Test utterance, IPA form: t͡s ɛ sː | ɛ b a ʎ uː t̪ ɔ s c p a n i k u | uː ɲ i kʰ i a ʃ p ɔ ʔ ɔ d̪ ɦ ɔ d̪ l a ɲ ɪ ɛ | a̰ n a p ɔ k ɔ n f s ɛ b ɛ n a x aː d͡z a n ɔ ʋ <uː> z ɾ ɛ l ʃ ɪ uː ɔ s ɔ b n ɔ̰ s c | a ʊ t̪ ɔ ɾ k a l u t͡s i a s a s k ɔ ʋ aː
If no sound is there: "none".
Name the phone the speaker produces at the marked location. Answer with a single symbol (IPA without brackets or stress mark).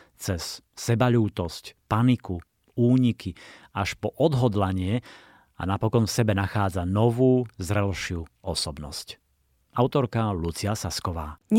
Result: uː